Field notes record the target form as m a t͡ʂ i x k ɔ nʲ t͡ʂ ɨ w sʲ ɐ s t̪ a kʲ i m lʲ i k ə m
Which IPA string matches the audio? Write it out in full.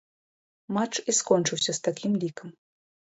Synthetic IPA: m a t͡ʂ i s k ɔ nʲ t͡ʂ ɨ w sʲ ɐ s t̪ a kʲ i m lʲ i k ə m